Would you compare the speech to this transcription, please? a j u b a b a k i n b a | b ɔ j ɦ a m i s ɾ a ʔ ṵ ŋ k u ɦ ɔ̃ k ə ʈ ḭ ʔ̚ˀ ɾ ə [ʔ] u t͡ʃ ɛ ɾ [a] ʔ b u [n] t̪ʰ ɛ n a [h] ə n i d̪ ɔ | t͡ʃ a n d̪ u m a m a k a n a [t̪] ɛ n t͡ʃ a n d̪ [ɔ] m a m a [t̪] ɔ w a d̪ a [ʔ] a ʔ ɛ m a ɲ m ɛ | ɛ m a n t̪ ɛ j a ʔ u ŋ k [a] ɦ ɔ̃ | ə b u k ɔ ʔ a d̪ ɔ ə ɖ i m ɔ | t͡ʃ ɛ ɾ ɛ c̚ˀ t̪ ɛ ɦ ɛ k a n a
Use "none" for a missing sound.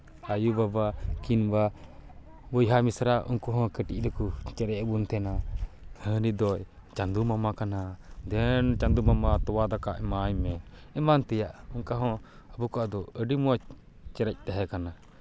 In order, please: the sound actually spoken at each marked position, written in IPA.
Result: k, ɛ, n, h, d̪, u, t̪, k, a

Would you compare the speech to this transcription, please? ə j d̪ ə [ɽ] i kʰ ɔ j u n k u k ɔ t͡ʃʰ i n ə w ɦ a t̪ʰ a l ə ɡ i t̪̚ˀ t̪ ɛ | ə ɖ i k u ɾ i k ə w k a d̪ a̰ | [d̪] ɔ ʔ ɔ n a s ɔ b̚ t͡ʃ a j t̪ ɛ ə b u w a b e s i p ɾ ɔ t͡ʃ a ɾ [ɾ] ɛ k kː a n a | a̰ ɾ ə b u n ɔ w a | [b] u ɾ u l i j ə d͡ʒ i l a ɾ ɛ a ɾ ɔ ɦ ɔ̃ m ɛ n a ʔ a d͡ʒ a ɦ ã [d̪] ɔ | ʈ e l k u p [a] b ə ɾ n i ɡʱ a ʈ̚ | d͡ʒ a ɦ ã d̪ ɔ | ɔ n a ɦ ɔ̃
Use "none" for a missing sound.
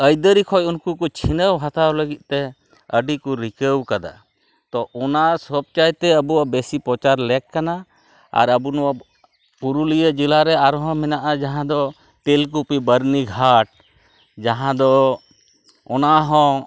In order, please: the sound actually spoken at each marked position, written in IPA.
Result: ɾ, t̪, l, p, d̪, i

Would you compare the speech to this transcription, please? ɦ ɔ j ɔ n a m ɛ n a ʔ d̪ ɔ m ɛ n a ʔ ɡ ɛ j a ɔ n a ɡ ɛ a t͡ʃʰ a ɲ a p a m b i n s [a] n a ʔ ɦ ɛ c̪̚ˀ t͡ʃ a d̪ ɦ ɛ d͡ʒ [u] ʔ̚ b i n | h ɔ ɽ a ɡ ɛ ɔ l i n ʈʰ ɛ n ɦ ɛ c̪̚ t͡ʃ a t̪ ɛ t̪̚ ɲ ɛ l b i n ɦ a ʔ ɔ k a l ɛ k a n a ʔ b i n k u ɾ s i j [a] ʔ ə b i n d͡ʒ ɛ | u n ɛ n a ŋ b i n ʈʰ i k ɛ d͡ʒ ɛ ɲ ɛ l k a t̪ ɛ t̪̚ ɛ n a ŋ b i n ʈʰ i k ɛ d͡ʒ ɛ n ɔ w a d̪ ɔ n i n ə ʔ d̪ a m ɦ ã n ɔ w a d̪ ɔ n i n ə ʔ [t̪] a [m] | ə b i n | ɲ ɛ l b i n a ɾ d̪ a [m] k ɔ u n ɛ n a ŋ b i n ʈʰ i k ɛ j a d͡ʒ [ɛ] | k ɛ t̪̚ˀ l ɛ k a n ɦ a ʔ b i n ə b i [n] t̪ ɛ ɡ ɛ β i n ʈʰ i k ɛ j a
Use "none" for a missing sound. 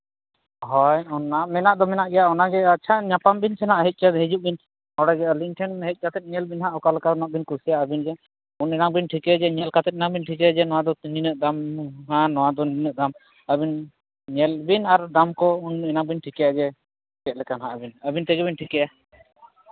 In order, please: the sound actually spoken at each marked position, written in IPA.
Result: ɛ, u, a, d̪, m, m, ɛ, n

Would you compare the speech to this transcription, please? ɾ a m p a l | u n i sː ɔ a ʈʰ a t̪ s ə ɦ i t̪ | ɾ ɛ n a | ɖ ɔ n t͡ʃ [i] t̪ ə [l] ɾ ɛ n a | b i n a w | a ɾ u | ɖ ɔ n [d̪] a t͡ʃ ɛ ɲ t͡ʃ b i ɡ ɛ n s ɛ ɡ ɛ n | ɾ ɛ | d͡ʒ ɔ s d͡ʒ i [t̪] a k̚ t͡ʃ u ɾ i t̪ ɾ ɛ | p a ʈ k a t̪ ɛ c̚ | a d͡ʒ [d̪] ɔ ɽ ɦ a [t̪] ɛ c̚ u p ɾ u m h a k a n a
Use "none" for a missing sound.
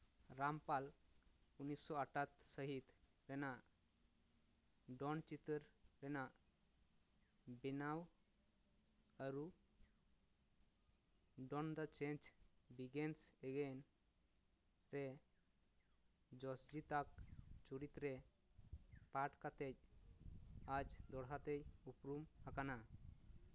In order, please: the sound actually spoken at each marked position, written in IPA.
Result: i, ɾ, d̪, t̪, d̪, t̪

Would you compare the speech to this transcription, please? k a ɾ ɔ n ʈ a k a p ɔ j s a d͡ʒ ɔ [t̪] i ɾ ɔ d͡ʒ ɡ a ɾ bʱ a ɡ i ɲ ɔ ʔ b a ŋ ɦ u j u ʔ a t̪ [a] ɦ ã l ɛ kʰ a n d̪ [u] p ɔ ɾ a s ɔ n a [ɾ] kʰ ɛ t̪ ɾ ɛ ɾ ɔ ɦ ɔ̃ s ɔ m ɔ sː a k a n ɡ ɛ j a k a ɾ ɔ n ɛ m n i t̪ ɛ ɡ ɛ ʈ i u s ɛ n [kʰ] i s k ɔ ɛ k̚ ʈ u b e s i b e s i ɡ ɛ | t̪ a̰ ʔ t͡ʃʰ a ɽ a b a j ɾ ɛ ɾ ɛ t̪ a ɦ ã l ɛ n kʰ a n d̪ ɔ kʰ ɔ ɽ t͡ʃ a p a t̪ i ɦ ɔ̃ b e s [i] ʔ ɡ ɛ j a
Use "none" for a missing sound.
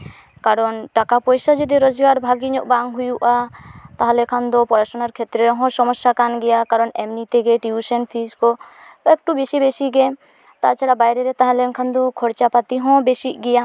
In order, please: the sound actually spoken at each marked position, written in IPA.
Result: d̪, a, ɔ, ɾ, pʰ, i

